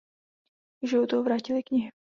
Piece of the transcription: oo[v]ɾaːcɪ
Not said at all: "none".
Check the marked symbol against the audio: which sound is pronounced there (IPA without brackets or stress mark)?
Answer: v